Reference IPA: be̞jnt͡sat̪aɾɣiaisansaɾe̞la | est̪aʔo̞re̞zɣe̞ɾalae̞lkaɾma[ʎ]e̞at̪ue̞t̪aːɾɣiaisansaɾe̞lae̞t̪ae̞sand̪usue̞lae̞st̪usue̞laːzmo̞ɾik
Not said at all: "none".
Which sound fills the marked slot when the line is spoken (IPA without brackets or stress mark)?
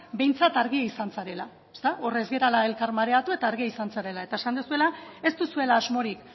ɾ